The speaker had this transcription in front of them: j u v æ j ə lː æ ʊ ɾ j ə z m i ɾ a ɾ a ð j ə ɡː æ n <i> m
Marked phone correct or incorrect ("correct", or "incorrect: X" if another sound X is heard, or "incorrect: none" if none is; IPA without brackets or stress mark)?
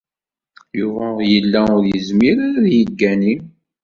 correct